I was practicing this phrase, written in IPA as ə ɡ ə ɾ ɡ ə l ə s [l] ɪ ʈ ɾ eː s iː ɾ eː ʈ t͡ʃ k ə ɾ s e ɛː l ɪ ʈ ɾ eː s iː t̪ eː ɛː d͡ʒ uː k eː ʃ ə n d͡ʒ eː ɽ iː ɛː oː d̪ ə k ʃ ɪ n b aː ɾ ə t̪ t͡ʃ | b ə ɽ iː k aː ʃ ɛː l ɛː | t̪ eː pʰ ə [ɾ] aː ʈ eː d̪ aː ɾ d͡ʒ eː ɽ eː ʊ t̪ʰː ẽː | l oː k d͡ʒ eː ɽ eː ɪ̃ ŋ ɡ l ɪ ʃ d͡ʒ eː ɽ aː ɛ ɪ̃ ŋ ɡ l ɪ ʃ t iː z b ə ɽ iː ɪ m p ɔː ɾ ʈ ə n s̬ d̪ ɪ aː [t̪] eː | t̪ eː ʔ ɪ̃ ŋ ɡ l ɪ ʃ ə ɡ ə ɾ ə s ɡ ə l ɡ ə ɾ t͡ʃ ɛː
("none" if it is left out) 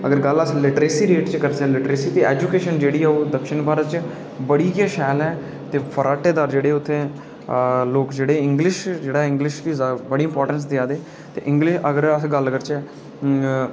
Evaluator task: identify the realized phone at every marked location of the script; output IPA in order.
l, ɾ, d̪

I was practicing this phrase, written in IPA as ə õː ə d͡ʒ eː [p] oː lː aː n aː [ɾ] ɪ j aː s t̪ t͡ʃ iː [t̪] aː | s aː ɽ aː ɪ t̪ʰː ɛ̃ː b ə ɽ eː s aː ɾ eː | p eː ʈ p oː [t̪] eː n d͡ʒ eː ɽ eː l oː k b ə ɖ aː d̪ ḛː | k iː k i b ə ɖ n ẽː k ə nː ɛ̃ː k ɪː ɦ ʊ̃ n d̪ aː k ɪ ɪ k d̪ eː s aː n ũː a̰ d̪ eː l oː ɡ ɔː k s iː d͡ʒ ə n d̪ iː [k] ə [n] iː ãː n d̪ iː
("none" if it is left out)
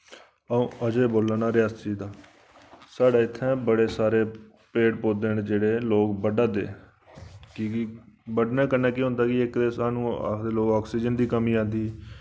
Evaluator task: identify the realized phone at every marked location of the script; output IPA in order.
b, ɾ, d̪, d̪, k, m

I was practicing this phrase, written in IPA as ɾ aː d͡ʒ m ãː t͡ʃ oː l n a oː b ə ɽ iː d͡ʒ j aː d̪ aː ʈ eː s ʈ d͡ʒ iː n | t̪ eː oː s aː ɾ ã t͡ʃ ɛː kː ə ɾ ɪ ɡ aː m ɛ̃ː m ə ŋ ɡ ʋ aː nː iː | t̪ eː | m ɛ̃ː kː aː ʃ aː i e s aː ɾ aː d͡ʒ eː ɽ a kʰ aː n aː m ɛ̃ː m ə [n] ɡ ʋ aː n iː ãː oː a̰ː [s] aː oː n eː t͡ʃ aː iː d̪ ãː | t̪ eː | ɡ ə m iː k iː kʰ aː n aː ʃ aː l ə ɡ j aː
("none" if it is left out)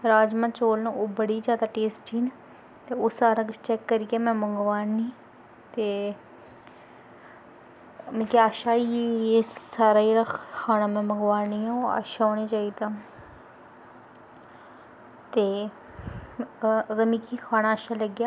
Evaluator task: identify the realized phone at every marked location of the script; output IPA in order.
ŋ, ʃ

